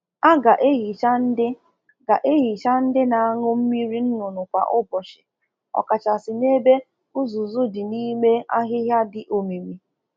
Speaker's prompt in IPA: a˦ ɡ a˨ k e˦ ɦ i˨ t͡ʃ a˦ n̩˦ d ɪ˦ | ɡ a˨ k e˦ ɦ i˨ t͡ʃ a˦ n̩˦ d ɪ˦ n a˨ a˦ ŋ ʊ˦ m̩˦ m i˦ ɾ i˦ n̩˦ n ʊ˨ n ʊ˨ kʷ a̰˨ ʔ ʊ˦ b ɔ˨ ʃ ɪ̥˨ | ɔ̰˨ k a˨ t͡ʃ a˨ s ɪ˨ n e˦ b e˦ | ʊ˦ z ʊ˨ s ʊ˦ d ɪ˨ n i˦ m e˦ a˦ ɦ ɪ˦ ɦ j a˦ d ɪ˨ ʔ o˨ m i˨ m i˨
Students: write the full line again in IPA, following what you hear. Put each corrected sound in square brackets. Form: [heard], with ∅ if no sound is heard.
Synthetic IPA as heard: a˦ ɡ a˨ [ʔ] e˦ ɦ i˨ t͡ʃ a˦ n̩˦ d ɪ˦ | ɡ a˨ [ʔ] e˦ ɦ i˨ t͡ʃ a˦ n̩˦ d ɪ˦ n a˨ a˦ ŋ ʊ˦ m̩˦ m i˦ ɾ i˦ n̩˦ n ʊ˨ n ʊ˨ kʷ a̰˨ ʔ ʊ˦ b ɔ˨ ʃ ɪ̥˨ | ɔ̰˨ k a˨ t͡ʃ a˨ s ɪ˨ n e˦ b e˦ | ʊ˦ z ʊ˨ [z] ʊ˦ d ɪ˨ n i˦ m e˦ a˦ ɦ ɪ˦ ɦ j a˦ d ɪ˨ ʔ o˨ m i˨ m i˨